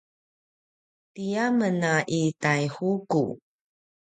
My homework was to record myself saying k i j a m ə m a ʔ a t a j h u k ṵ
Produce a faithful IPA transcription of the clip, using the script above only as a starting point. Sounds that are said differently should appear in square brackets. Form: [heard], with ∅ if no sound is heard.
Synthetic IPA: [t] i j a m ə [n] a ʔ [i] t a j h u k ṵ

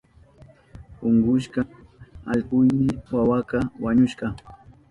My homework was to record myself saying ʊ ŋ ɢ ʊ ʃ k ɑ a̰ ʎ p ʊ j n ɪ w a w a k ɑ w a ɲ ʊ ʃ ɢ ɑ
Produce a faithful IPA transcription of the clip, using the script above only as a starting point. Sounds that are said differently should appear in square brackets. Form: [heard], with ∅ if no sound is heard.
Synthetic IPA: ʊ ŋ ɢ ʊ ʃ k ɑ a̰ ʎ p ʊ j [m] ɪ w a w a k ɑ w a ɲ ʊ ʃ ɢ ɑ

